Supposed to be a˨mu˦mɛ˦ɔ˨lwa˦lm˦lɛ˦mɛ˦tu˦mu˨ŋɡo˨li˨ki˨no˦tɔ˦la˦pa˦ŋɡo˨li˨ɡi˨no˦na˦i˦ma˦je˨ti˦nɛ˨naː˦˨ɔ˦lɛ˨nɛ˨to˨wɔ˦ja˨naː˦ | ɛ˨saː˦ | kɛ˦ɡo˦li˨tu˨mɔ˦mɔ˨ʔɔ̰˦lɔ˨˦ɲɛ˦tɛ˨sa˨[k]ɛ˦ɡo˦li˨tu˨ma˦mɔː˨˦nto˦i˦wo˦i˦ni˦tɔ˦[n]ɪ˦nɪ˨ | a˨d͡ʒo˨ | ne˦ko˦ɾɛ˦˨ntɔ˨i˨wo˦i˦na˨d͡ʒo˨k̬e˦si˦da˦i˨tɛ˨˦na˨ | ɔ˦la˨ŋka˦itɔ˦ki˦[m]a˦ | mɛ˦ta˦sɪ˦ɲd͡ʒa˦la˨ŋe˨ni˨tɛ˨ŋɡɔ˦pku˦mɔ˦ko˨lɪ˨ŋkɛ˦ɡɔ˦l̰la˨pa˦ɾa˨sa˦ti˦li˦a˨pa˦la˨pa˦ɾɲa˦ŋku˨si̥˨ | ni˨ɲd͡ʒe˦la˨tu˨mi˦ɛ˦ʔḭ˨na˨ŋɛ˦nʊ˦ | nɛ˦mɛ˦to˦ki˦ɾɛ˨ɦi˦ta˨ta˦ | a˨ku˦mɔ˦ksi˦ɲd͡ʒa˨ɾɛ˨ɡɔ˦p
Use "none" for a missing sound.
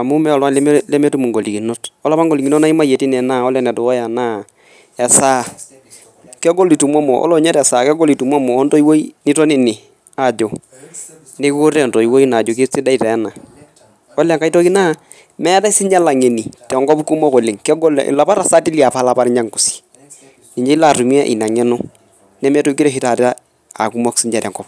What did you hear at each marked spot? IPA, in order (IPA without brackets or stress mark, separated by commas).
k, n, n